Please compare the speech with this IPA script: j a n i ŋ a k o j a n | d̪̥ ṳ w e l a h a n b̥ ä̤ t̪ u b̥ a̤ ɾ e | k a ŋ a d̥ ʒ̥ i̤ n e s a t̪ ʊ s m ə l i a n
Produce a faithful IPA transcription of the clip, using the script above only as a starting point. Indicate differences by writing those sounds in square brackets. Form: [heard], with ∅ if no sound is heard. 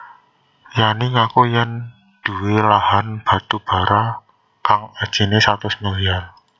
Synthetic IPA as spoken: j a n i ŋ a k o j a n | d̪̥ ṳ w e l a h a n b̥ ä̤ t̪ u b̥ a̤ ɾ [a] | k a ŋ a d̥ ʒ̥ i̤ n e s a t̪ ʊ s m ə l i a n